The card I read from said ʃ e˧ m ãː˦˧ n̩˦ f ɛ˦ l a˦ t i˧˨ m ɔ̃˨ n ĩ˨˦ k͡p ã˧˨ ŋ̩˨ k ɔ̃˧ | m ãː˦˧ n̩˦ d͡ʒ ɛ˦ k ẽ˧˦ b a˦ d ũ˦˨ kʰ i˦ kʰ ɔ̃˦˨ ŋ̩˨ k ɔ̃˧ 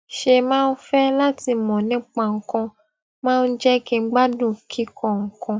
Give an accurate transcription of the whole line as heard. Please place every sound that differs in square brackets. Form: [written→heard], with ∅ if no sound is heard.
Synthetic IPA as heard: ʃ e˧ m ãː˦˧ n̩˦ f ɛ˦ l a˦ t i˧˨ m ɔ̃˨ n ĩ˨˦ k͡p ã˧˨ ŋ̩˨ k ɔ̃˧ | m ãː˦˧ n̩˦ d͡ʒ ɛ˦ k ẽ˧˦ [b→ɡ͡b] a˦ d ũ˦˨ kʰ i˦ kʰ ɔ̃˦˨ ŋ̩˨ k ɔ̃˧